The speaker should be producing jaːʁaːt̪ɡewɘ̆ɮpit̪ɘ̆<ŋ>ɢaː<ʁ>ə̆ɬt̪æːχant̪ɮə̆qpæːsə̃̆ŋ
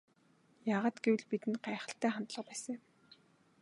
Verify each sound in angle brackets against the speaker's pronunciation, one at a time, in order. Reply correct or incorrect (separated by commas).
incorrect, incorrect